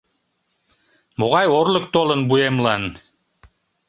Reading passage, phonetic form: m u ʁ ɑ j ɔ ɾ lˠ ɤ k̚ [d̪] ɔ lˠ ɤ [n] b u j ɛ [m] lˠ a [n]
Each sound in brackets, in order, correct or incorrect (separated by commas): incorrect, correct, correct, correct